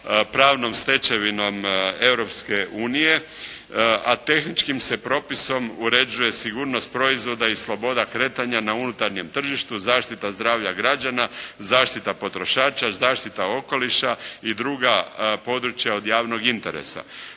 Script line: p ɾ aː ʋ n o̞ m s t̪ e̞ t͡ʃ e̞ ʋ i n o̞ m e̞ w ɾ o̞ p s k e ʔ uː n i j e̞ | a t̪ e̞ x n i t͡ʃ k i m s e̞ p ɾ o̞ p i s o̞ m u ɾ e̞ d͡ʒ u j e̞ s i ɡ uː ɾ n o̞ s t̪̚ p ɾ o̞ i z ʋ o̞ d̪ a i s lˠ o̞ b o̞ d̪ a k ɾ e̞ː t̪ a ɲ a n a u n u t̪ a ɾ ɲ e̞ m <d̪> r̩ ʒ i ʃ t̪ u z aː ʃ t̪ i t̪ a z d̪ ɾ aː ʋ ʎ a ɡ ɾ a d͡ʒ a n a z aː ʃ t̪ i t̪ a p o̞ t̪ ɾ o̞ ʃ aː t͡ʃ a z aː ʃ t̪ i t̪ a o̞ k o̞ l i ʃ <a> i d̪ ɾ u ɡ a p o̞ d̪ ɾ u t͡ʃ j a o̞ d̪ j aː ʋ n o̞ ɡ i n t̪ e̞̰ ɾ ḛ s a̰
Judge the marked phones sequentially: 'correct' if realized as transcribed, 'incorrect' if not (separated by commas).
incorrect, correct